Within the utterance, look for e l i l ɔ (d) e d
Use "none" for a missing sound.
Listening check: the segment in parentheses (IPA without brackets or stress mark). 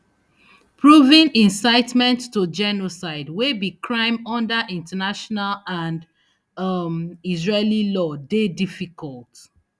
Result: d